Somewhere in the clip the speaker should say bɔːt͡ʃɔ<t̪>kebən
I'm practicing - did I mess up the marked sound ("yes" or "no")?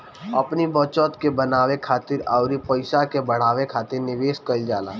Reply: no